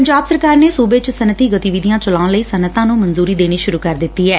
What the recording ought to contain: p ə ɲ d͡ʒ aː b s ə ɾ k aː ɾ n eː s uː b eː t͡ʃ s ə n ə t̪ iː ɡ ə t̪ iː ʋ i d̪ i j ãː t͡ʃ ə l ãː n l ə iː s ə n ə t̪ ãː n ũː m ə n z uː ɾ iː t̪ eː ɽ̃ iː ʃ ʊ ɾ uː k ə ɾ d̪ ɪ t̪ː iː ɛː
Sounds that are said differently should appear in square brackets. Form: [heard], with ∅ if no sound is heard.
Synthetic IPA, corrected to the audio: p ə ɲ d͡ʒ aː b s ə ɾ k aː ɾ n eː s uː b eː t͡ʃ s ə n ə t̪ iː ɡ ə t̪ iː ʋ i d̪ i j ãː t͡ʃ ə l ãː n l ə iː s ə n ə t̪ ãː n ũː m ə n z uː ɾ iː [d̪] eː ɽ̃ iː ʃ ʊ ɾ uː k ə ɾ d̪ ɪ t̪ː iː ɛː